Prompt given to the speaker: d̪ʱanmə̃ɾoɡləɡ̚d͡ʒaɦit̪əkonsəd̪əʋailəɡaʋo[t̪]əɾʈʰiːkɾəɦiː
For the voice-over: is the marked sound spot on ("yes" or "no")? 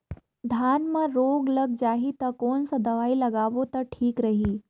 yes